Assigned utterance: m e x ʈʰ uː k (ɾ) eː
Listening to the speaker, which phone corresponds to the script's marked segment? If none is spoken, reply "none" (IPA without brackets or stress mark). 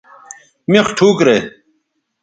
ɾ